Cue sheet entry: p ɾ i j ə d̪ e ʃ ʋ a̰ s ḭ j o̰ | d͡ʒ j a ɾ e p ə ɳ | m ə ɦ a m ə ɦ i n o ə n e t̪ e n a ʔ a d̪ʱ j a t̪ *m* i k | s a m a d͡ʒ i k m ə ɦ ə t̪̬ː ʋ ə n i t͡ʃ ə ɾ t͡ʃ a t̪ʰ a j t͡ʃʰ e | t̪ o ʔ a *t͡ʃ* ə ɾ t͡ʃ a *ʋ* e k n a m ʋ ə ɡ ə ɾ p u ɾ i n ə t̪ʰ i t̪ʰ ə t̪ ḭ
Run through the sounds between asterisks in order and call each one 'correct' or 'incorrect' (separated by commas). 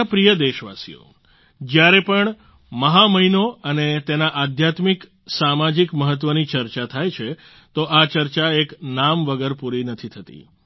correct, correct, incorrect